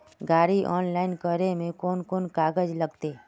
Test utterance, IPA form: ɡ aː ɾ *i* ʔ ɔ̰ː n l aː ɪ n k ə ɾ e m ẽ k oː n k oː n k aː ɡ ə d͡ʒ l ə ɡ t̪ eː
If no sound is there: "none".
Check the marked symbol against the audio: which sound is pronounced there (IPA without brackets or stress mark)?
i